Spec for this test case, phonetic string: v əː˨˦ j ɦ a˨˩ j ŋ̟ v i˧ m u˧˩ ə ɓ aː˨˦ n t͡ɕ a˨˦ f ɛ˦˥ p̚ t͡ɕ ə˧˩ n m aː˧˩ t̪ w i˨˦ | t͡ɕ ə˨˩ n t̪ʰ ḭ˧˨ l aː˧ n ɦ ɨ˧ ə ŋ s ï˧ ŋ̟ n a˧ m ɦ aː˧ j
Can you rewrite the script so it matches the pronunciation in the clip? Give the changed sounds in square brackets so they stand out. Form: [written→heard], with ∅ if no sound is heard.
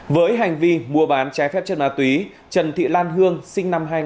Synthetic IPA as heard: v əː˨˦ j ɦ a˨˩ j ŋ̟ v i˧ m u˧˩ ə ɓ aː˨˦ n t͡ɕ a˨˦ f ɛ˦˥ p̚ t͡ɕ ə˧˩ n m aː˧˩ t̪ w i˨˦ | t͡ɕ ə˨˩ n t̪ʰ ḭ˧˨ l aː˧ n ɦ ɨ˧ ə ŋ s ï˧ ŋ̟ n a˧ m ɦ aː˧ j